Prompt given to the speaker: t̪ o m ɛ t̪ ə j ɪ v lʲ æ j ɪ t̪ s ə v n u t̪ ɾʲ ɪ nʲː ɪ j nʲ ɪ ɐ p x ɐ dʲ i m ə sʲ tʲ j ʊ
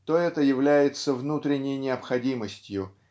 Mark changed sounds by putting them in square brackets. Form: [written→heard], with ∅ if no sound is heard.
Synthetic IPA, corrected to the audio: t̪ o [m→∅] ɛ t̪ ə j ɪ v lʲ æ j ɪ t̪ s ə v n u t̪ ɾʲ ɪ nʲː ɪ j nʲ ɪ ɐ p x ɐ dʲ i m ə sʲ tʲ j ʊ